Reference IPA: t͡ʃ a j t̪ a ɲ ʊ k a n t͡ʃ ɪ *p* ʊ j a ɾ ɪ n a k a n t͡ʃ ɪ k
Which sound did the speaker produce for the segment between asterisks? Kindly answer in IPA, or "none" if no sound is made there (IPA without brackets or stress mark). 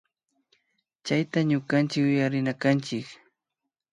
k